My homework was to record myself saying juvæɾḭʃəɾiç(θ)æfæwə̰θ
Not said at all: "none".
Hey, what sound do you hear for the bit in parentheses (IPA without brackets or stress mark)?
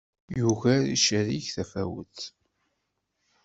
θ